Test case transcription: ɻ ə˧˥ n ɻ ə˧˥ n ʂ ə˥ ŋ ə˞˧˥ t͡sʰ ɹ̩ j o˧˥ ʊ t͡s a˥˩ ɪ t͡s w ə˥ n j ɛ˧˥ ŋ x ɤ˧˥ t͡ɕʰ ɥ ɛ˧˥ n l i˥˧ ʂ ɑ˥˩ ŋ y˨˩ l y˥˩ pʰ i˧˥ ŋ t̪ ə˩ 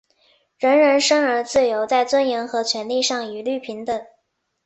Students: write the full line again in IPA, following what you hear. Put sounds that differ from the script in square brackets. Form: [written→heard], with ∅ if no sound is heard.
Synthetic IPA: ɻ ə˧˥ n ɻ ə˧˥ n ʂ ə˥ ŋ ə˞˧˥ [t͡sʰ→t͡s] ɹ̩ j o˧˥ ʊ t͡s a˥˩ ɪ t͡s w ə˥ n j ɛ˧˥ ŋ x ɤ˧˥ t͡ɕʰ ɥ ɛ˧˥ n l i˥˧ ʂ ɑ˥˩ ŋ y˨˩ l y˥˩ pʰ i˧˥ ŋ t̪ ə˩